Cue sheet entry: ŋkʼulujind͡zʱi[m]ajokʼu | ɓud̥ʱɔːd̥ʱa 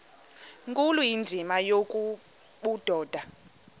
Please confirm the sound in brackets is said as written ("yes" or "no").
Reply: yes